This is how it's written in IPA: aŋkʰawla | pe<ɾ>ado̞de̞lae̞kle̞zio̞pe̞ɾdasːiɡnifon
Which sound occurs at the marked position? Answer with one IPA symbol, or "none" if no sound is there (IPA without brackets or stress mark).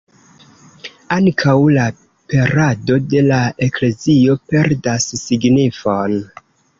ɾ